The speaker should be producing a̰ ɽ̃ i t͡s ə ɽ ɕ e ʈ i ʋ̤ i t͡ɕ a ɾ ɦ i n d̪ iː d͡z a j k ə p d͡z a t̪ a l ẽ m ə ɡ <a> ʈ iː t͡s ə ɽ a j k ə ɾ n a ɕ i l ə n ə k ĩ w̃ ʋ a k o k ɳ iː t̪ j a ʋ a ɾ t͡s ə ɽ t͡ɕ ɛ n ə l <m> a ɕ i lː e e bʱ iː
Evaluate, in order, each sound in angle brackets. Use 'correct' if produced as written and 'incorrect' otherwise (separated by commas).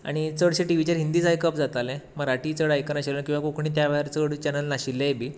correct, incorrect